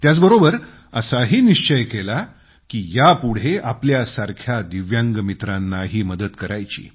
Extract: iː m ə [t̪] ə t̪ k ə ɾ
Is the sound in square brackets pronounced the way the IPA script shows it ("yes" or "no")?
no